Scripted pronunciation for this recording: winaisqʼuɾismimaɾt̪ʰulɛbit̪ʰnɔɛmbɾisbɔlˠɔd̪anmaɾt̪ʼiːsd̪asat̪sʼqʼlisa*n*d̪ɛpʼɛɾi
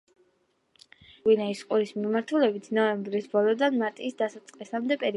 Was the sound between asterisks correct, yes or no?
no